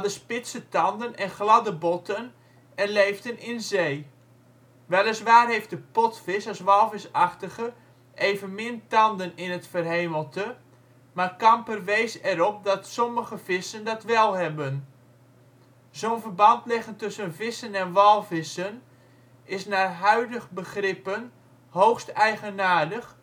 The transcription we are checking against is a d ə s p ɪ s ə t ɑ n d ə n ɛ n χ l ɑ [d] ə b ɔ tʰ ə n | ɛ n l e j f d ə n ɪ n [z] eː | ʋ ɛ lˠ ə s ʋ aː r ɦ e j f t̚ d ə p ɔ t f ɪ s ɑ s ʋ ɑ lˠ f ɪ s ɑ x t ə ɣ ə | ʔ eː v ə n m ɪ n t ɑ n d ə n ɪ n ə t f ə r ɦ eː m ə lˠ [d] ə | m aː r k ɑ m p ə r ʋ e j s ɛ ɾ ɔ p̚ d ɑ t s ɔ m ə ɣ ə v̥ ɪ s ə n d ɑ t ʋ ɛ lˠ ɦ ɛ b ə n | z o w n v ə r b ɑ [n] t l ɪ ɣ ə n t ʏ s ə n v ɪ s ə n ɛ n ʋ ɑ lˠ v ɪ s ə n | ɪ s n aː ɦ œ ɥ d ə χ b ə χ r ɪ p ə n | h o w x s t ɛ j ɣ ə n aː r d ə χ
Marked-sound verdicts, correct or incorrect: correct, correct, incorrect: t, correct

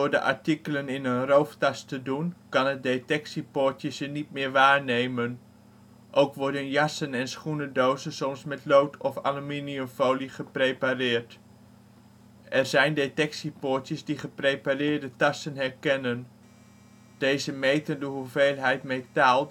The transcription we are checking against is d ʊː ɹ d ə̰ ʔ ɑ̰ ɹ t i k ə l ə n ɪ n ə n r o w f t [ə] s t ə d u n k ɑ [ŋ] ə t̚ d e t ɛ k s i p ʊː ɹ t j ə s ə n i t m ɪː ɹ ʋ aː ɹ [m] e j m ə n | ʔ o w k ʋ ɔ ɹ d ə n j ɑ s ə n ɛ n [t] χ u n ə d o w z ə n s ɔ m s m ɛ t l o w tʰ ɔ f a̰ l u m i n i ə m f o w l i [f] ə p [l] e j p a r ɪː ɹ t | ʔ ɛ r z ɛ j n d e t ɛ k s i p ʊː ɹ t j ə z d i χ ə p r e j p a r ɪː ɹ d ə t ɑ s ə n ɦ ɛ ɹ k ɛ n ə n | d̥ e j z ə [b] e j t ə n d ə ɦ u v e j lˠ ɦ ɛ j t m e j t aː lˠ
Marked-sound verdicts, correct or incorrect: incorrect: ɑ, incorrect: n, incorrect: n, incorrect: s, incorrect: χ, incorrect: r, incorrect: m

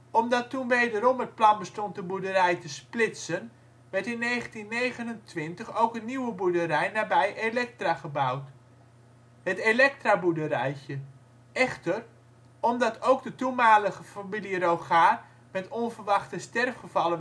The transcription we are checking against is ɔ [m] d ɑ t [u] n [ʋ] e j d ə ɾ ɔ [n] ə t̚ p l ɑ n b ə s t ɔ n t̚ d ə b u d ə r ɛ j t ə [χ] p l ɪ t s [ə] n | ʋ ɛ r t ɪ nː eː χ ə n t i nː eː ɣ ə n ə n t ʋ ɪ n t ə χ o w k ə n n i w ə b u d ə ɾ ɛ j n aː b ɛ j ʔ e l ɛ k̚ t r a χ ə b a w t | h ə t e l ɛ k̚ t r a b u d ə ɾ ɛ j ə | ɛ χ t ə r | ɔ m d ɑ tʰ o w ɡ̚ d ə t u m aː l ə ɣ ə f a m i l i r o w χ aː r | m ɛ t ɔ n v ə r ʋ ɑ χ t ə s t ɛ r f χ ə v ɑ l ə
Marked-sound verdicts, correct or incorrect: correct, correct, correct, incorrect: m, incorrect: s, correct

